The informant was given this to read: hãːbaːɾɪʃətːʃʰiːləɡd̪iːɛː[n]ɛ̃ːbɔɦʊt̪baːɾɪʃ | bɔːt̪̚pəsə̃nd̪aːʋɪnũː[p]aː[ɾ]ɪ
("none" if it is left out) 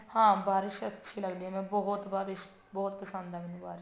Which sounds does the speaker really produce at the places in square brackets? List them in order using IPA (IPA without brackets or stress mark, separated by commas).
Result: m, b, ɾ